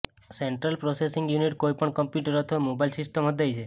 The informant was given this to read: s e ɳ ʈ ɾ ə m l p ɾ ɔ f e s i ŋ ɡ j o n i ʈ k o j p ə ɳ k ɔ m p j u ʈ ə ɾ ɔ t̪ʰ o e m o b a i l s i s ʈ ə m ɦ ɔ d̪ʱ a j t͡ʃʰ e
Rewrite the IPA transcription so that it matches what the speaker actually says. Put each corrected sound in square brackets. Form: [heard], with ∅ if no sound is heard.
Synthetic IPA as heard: s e ɳ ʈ ɾ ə [∅] l p ɾ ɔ [s] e s i ŋ ɡ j [u] n i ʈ k o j p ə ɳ k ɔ m p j u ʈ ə ɾ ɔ t̪ʰ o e m o b a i l s i s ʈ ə m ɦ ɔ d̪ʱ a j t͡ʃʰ e